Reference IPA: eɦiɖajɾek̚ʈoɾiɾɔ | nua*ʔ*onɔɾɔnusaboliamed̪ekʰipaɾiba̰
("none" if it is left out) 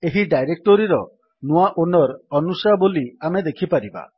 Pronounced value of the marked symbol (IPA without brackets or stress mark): ʔ